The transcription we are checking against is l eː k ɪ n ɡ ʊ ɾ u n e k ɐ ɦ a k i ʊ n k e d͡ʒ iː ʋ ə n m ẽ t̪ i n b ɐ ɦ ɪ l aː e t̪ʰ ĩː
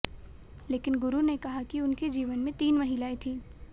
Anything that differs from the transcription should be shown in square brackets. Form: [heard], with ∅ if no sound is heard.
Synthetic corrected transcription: l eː k ɪ n ɡ ʊ ɾ u n e k ɐ ɦ a k i ʊ n k e d͡ʒ iː ʋ ə n m ẽ t̪ [iː] n [m] ɐ ɦ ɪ l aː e t̪ʰ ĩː